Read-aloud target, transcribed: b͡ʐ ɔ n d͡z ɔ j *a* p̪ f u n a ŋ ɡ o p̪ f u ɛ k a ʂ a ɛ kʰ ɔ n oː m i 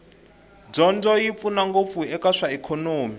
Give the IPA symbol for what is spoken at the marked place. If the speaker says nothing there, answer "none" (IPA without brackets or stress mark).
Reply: i